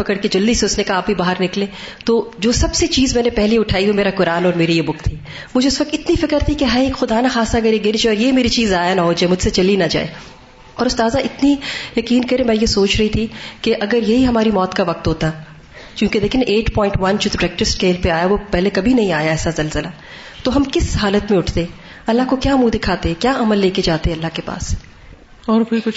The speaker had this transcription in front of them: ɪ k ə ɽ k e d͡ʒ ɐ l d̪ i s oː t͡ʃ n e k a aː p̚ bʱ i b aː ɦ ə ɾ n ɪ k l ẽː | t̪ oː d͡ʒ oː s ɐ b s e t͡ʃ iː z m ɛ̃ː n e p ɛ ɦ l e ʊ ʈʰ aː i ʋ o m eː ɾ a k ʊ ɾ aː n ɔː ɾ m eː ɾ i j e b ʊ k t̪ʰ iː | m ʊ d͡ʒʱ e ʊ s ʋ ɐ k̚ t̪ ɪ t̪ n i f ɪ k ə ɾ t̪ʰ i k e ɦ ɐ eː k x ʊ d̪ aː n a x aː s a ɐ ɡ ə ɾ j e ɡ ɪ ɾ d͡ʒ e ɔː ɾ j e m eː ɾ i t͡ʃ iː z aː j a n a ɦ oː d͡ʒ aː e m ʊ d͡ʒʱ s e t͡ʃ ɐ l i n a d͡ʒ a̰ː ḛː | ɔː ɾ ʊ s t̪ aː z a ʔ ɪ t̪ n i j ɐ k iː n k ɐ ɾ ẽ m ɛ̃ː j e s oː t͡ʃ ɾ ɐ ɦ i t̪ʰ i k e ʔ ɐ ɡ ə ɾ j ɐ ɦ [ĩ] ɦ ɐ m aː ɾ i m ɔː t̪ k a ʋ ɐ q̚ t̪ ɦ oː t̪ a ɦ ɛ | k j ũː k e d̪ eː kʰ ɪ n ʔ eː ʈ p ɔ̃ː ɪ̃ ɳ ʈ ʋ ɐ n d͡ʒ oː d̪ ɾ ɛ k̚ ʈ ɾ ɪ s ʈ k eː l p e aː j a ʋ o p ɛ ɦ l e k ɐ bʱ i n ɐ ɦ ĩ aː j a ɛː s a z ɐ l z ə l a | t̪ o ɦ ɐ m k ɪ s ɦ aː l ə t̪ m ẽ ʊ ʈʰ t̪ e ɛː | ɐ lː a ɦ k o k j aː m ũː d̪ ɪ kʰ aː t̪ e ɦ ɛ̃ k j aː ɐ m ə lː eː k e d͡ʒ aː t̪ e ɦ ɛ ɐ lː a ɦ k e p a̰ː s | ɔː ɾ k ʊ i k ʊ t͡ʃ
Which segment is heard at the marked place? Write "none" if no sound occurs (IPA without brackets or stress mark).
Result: i